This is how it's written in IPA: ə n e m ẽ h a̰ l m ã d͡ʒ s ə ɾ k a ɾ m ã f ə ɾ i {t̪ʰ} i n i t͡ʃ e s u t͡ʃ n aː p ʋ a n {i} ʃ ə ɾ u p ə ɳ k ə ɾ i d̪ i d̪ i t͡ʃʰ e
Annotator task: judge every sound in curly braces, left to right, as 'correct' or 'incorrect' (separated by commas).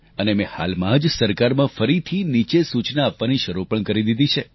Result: correct, correct